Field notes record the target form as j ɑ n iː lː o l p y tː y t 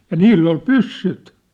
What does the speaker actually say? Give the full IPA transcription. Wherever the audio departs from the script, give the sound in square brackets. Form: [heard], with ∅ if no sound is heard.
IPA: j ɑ n iː lː o l p y [sː] y t